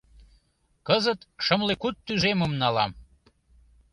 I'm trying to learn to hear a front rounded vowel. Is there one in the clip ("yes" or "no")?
yes